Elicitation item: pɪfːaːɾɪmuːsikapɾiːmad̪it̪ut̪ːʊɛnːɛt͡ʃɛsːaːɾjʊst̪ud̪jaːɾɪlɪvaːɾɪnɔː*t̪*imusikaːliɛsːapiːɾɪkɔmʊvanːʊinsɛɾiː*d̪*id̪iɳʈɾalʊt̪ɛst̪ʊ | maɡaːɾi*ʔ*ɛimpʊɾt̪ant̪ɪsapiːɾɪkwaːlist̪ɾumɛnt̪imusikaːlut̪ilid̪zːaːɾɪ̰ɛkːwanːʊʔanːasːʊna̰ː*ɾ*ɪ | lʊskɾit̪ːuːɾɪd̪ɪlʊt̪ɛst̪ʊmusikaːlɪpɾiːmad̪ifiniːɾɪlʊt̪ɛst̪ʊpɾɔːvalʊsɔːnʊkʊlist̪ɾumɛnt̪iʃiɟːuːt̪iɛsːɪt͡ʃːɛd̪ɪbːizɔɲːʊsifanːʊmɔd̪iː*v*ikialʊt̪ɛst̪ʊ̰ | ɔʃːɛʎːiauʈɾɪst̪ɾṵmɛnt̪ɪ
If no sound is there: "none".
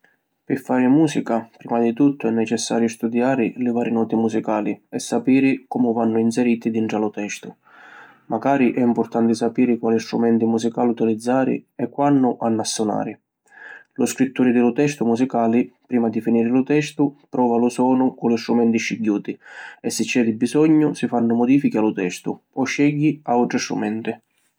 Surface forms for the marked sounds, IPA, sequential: t̪, t̪, ʔ, ɾ, f

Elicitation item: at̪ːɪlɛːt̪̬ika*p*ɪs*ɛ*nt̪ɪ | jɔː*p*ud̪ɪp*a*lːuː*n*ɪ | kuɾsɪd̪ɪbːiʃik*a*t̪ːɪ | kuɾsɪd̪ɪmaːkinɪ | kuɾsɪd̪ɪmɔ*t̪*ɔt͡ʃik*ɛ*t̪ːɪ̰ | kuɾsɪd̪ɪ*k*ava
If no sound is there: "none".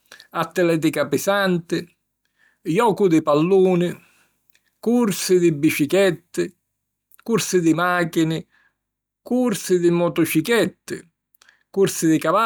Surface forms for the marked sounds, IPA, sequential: p, a, k, a, n, ɛ, t̪, ɛ, k

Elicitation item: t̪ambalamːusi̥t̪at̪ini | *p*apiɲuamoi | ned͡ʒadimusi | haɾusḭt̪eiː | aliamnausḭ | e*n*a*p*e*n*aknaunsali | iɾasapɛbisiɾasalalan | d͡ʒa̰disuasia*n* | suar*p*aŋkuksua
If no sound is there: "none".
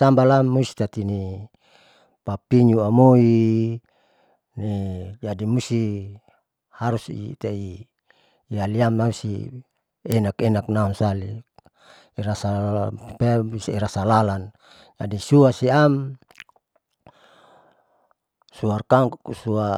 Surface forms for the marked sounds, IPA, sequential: p, n, k, n, m, k

